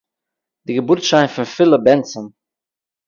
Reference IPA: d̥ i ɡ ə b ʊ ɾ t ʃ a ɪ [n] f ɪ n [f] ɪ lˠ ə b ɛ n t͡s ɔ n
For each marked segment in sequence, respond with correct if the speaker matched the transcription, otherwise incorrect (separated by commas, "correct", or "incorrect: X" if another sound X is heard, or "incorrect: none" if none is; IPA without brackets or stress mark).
correct, correct